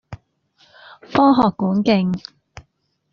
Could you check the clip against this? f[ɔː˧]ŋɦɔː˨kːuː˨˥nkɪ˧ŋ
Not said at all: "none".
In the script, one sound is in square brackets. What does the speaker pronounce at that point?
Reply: ɔː˥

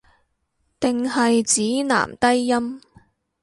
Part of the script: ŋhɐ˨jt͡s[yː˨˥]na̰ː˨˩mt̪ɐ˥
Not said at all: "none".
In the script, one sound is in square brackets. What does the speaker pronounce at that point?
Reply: iː˨˥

